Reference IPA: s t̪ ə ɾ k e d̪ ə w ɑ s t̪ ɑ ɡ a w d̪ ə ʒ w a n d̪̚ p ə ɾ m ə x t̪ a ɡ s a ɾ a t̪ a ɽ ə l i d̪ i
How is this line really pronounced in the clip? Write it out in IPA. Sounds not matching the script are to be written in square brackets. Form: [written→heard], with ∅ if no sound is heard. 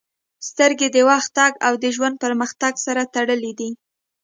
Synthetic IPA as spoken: s t̪ ə ɾ [k→ɡ] e d̪ ə w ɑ [s→x] t̪ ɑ ɡ a w d̪ ə ʒ w a n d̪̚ p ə ɾ m ə x t̪ a ɡ s a ɾ a t̪ a ɽ ə l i d̪ i